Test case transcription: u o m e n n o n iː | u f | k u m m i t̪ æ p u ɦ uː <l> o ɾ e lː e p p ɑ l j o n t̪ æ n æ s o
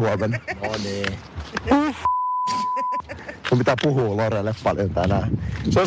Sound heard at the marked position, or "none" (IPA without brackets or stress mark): l